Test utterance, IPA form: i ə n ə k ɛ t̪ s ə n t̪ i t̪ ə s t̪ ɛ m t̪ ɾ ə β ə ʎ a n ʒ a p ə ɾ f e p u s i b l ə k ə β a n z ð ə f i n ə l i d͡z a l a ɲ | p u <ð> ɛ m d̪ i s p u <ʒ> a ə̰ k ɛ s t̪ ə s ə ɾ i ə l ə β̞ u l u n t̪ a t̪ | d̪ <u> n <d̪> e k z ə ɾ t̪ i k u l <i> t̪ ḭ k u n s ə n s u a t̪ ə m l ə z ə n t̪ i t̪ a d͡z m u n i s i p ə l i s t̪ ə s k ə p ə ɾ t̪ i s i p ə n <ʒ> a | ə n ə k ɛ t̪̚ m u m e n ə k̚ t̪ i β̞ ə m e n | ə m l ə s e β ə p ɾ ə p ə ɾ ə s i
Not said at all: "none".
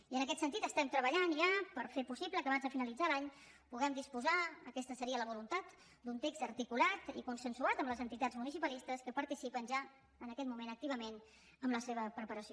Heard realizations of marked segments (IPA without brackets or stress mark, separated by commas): ɣ, z, u, t̪, a, ʒ